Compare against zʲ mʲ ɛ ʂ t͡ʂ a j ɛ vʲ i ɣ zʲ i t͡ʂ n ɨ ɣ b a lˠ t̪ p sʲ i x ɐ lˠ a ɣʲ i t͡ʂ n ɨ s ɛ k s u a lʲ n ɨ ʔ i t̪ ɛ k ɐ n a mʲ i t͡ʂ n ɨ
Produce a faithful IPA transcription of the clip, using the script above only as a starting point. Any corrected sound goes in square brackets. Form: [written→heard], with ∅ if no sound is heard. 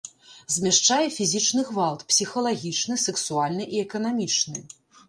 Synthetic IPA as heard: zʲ mʲ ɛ ʂ t͡ʂ a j ɛ [vʲ→fʲ] i [ɣ→∅] zʲ i t͡ʂ n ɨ ɣ [b→v] a lˠ t̪ p sʲ i x ɐ lˠ a ɣʲ i t͡ʂ n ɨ s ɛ k s u a lʲ n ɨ ʔ i [t̪→∅] ɛ k ɐ n a mʲ i t͡ʂ n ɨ